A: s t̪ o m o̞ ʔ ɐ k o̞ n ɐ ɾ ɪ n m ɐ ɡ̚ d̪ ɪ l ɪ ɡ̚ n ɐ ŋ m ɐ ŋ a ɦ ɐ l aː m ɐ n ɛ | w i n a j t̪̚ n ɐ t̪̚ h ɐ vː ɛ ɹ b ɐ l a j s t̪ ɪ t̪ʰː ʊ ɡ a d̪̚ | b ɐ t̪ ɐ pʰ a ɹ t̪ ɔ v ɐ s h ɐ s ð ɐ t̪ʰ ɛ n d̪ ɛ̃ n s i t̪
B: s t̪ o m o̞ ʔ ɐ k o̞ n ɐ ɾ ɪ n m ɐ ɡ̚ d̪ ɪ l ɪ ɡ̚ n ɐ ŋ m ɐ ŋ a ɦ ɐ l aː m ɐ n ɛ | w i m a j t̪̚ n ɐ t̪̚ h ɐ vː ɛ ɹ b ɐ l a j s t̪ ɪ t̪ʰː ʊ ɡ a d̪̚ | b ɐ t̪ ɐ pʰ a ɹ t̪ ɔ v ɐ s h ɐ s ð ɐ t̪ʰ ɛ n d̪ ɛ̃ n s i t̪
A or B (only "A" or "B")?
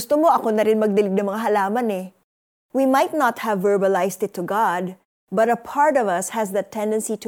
B